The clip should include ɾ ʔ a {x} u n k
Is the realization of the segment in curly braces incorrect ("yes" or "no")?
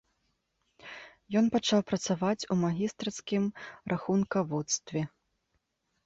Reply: no